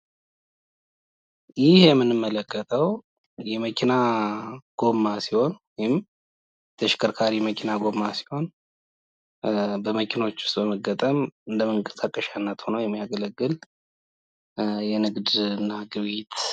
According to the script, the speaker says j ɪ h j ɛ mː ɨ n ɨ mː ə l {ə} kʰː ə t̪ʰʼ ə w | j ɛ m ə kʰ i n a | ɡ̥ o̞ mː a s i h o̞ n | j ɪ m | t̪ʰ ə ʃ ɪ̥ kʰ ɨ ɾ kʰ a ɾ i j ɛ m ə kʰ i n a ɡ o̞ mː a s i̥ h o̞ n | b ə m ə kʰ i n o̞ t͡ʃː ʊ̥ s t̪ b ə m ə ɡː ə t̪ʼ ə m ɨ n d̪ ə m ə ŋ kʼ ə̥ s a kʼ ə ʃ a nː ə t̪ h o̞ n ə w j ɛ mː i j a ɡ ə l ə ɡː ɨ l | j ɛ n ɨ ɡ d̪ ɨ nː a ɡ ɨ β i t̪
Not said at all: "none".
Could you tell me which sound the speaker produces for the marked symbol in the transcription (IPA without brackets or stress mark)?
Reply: ə